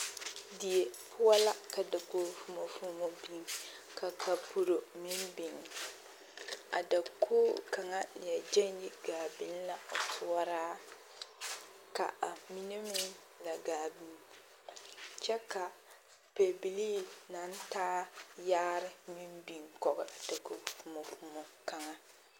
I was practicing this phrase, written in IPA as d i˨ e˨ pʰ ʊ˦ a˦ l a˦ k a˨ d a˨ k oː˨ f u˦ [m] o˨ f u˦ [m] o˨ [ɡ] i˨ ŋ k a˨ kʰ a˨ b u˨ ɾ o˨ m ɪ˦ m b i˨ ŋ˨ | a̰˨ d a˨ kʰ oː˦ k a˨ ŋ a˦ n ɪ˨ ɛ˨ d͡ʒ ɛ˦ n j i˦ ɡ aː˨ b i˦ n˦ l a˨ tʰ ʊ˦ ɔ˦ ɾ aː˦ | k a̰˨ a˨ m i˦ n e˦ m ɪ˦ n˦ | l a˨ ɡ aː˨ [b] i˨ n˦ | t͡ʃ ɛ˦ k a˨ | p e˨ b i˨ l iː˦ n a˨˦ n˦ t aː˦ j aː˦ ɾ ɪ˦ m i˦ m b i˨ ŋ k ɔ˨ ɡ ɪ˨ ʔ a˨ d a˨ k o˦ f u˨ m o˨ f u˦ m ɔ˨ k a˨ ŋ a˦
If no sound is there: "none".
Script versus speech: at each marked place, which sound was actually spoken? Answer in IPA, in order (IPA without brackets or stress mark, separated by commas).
m, m, b, b